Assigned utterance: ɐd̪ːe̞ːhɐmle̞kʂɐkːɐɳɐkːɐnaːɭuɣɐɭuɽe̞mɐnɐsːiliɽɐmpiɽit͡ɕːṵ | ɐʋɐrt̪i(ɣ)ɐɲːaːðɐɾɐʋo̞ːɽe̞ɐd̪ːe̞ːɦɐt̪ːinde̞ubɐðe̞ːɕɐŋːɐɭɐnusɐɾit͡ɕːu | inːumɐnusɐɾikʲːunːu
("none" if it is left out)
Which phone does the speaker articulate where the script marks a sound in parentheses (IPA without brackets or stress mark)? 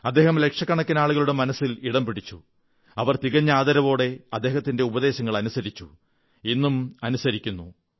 ɣ